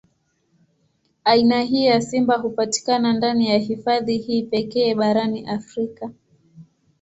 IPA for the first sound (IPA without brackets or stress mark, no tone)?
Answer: a